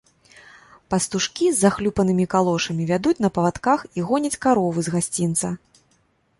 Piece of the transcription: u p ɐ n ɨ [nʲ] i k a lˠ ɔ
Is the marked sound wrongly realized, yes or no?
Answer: yes